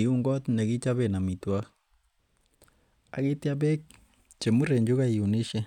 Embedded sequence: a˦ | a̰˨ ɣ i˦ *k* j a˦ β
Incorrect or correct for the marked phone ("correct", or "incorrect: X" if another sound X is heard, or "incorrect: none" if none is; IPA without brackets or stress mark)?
incorrect: t